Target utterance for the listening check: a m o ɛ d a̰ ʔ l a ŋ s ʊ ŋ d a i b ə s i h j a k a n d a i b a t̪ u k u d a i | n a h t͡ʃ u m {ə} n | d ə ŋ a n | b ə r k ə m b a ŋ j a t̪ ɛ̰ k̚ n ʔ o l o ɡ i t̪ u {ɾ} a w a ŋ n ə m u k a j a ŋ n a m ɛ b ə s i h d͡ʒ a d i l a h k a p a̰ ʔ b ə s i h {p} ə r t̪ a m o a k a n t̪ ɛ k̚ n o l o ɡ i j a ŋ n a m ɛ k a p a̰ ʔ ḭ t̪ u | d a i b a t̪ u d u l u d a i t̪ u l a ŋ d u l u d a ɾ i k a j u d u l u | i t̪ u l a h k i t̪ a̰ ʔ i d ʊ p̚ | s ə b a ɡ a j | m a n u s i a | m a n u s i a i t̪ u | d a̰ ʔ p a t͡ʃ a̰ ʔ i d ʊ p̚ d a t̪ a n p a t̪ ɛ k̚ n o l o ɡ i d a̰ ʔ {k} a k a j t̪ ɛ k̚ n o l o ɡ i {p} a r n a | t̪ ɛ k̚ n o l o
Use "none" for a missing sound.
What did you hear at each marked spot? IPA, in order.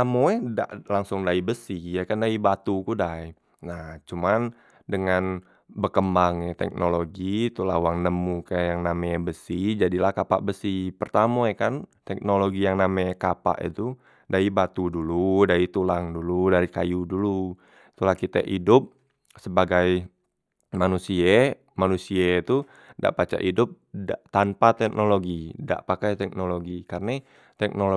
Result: a, l, p, p, k

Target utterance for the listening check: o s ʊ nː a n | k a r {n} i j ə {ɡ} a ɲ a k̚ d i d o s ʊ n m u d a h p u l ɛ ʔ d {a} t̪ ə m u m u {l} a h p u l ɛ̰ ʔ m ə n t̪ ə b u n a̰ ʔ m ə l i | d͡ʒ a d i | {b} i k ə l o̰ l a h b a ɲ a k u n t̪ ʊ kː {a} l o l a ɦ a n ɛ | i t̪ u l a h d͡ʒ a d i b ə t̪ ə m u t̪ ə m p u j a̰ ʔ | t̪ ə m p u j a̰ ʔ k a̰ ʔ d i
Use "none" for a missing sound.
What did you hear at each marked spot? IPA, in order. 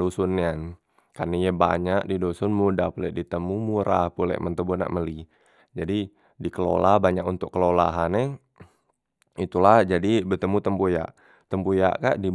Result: n, b, i, ɾ, d, ə

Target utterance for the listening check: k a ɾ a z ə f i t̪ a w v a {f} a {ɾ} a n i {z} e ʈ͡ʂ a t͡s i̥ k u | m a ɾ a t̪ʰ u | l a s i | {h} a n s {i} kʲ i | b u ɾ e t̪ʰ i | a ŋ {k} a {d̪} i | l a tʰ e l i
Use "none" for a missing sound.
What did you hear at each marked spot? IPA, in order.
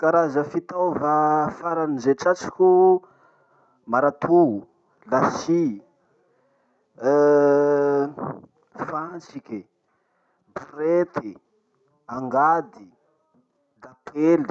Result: f, ɾ, z, f, i, ɡ, d̪

